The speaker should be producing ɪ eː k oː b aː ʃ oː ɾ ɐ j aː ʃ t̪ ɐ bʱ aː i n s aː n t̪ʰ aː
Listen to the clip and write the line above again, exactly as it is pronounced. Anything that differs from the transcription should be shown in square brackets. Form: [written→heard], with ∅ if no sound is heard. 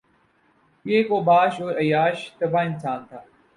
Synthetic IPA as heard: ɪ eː k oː b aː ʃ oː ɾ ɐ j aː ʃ t̪ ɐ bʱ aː [i→ɪ] n s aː n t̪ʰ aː